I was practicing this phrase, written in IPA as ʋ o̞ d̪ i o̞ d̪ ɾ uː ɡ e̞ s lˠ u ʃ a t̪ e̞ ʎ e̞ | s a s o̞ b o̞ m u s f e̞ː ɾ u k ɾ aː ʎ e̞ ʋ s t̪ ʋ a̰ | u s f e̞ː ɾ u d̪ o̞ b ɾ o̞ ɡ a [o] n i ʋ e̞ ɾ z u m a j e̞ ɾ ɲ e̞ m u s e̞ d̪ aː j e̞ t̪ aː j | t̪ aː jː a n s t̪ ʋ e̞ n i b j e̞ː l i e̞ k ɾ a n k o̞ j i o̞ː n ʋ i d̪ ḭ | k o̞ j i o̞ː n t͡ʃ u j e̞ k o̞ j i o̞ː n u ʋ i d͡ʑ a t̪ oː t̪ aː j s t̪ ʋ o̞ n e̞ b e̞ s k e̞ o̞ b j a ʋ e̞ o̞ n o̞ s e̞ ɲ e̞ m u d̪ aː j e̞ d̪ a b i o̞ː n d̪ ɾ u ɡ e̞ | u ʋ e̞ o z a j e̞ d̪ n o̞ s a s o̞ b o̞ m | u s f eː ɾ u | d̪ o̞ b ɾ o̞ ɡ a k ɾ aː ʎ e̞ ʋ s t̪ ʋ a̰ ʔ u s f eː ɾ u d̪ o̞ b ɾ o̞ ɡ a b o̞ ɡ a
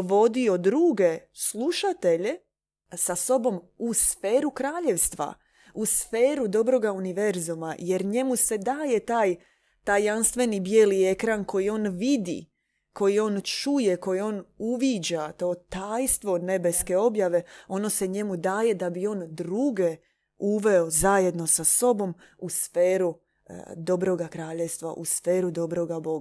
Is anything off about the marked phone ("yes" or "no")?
yes